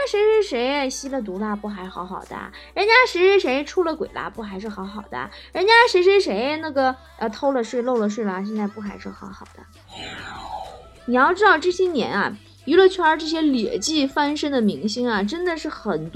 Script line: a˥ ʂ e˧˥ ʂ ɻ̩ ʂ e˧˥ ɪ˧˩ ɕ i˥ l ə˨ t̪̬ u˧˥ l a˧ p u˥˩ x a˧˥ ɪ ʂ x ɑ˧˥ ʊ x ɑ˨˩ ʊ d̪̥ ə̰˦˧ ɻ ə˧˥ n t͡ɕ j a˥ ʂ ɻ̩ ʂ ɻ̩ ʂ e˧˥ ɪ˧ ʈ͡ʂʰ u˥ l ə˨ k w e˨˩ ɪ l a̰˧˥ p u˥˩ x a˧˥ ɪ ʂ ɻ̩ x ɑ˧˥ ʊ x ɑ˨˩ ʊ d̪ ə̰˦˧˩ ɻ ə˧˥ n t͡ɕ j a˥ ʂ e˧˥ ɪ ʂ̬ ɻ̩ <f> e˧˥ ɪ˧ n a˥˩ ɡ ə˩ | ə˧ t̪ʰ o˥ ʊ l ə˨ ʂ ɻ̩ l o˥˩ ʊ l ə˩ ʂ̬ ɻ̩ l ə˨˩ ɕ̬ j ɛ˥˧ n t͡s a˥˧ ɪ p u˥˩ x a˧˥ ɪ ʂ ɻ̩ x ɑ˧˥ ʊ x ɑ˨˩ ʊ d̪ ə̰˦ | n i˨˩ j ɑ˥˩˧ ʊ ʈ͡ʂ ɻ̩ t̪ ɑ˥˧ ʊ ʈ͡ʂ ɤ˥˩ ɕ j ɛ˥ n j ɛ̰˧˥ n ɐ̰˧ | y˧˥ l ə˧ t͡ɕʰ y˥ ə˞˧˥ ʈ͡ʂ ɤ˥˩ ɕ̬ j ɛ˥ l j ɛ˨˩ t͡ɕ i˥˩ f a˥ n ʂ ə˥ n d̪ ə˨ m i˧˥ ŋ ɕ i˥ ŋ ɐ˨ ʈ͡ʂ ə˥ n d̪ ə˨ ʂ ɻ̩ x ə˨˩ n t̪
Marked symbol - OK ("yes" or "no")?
no